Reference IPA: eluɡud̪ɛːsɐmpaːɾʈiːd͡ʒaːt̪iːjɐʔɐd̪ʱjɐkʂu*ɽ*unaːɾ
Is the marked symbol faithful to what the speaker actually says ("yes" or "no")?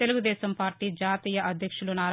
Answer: no